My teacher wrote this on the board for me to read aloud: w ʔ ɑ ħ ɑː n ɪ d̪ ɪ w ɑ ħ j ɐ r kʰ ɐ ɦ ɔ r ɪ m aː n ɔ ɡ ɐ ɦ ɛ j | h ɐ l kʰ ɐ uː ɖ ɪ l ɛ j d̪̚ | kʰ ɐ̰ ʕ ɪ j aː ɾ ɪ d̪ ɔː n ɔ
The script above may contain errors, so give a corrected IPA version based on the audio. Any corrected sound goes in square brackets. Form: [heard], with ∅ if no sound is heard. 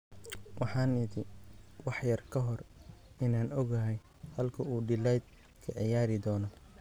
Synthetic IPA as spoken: w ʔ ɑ ħ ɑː n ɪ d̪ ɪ w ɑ ħ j ɐ r kʰ ɐ ɦ ɔ r ɪ [n] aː n ɔ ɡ ɐ ɦ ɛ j | h ɐ l kʰ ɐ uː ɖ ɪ l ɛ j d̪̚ | kʰ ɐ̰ ʕ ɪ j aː ɾ ɪ d̪ ɔː n ɔ